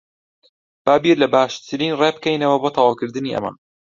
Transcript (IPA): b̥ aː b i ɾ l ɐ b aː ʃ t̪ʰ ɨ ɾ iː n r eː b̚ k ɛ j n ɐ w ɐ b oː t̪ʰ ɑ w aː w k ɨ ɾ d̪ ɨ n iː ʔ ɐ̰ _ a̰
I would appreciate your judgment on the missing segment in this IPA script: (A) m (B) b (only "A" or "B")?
A